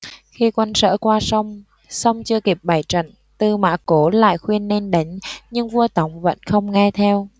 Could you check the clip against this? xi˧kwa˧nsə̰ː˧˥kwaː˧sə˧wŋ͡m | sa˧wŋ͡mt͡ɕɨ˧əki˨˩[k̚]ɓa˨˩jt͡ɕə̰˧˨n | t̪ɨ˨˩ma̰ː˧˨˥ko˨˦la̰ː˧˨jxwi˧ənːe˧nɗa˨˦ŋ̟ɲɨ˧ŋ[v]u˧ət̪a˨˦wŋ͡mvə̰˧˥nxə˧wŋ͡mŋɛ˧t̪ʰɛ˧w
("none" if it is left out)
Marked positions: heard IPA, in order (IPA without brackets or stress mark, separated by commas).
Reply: p̚, v